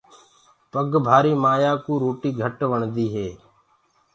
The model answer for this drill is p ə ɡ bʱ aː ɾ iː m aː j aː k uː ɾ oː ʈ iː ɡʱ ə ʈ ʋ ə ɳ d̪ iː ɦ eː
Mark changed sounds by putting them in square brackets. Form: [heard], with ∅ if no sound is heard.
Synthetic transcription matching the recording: p ə ɡ bʱ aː ɾ iː m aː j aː k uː ɾ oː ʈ iː ɡʱ ə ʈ ʋ ə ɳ d̪ iː ɦ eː